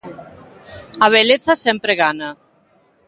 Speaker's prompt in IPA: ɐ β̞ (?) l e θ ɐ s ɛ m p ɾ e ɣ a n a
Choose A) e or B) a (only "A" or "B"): A